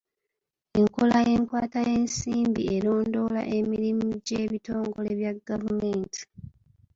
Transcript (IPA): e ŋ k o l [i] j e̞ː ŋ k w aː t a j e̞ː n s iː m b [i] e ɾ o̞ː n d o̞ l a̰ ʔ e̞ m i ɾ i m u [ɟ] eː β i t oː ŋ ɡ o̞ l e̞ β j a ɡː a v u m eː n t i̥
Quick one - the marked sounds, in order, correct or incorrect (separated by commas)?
incorrect, correct, correct